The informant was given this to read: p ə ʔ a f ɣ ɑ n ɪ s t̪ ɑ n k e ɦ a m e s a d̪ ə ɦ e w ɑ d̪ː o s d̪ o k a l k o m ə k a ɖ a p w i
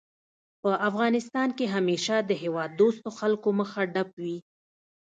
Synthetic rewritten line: p ə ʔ a f ɣ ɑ n ɪ s t̪ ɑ n k e ɦ a m e ʃ a d̪ ə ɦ e w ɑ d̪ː o s t̪ o x a l k o m ə x a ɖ a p w i